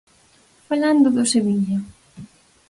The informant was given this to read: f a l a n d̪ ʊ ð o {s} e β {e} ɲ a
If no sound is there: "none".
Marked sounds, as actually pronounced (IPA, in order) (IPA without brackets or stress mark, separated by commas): s, i